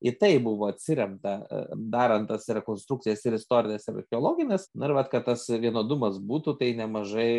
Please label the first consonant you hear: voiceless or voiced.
voiceless